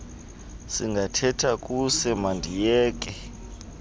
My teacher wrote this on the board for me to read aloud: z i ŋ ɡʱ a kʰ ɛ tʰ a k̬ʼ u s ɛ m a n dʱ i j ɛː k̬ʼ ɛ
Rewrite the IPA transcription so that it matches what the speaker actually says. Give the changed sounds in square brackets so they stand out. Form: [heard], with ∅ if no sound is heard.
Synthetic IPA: [s] i ŋ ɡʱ a [tʰ] ɛ tʰ a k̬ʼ u s ɛ m a n dʱ i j ɛː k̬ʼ ɛ